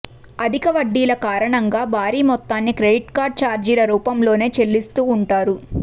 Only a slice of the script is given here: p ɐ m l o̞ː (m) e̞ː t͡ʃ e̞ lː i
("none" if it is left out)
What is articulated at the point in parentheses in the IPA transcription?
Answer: n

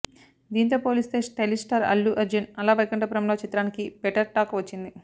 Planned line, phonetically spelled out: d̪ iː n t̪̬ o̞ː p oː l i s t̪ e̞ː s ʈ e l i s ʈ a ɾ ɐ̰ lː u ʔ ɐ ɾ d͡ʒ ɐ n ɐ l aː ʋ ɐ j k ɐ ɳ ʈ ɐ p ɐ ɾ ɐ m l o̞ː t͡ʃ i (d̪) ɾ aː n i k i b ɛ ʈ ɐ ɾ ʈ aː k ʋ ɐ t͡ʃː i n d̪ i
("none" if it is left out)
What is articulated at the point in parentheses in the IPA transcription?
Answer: t̪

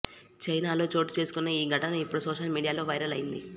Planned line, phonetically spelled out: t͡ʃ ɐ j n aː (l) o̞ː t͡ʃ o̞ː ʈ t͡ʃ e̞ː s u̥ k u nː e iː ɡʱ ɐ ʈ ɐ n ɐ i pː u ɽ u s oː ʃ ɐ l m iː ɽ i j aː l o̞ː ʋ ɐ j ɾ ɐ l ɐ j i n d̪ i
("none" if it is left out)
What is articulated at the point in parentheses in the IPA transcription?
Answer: l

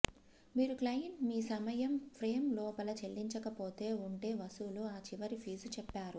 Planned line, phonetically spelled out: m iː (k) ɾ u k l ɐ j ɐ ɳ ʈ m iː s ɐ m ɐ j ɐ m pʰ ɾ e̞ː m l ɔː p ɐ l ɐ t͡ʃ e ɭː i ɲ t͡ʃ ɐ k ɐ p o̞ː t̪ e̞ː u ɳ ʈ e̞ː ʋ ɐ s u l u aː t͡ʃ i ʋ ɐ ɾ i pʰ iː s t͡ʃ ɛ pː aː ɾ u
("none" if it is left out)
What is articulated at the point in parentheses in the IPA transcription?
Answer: none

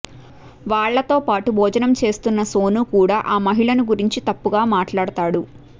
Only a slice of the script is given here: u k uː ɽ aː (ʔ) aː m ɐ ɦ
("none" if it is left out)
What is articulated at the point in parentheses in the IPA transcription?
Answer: ʔ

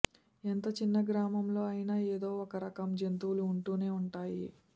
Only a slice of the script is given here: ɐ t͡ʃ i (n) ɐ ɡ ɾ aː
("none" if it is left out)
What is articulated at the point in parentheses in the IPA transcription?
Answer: nː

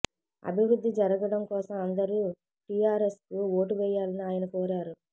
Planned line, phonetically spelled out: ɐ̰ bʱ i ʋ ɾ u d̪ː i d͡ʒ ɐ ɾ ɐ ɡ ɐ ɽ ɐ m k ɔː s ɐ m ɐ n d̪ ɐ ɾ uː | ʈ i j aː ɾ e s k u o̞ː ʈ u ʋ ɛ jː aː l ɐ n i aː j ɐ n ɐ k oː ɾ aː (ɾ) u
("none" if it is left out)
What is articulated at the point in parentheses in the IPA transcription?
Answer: ɾ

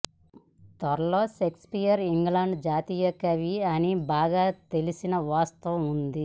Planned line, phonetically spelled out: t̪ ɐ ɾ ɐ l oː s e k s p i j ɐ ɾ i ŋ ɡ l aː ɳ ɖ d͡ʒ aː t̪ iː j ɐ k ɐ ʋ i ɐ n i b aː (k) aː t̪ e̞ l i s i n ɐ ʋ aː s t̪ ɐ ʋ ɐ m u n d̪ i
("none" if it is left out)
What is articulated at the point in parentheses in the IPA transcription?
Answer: ɡ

